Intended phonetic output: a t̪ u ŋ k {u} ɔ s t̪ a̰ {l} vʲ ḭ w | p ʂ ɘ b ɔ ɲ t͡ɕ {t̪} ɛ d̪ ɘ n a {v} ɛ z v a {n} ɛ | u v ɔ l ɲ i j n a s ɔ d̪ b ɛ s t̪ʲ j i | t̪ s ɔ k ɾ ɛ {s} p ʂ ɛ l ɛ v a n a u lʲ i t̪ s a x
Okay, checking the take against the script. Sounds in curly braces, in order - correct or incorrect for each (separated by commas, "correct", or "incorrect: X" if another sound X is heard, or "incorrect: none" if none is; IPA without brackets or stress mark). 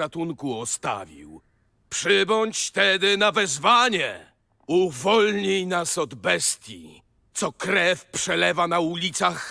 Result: correct, incorrect: none, correct, correct, incorrect: ɲ, incorrect: f